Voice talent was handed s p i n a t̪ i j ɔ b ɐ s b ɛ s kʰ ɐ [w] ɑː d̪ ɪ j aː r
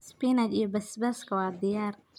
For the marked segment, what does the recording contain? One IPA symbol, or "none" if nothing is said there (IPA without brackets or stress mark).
w